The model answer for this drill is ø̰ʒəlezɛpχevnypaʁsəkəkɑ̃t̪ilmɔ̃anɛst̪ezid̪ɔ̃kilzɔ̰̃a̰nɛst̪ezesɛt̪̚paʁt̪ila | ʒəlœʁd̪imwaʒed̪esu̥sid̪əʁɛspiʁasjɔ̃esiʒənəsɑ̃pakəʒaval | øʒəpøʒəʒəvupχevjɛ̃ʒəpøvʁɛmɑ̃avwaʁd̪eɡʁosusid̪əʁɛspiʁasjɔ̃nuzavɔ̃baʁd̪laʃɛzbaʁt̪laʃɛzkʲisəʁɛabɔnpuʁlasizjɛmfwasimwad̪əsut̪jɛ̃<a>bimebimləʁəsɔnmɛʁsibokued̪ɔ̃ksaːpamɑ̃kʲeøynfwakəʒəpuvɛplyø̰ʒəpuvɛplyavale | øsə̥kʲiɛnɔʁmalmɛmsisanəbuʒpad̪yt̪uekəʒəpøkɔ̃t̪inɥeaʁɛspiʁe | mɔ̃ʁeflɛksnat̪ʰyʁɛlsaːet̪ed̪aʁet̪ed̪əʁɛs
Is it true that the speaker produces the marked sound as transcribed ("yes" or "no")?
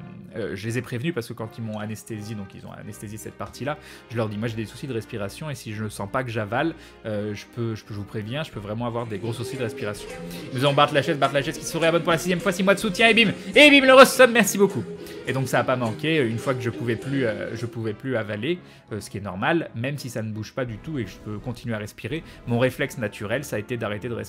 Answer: no